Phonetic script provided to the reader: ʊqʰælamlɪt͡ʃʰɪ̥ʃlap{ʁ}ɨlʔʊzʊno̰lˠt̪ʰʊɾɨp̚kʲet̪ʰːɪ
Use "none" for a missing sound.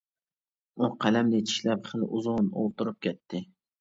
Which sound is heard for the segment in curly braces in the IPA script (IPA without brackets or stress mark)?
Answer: χ